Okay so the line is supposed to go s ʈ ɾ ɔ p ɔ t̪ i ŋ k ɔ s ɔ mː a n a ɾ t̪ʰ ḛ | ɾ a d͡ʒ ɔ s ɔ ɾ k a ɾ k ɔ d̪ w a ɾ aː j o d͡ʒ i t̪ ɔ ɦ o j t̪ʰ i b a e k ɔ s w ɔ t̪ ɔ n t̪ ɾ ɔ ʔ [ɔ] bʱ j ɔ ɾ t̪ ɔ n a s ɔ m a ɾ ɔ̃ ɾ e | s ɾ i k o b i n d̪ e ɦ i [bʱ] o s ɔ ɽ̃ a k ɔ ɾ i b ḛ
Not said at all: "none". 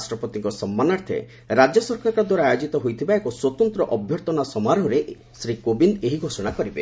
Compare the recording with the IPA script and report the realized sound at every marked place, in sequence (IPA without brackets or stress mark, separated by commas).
ɔ, ɡʱ